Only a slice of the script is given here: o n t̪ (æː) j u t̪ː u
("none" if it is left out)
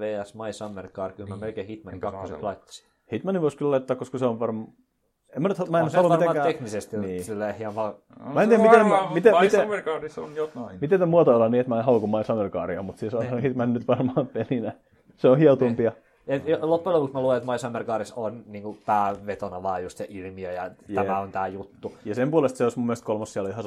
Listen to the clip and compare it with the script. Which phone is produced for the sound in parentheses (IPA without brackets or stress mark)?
æː